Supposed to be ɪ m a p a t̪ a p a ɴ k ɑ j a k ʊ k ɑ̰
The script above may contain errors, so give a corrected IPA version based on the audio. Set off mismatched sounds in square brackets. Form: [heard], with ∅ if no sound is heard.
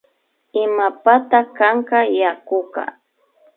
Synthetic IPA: ɪ m a p a t̪ a [k] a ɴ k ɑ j a k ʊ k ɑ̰